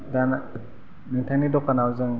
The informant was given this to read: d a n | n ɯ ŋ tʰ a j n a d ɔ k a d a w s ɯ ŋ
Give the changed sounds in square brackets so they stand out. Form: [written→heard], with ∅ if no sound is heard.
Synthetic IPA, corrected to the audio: d a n | n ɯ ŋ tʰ a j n [a→i] d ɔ k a [d→n] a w [s→z] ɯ ŋ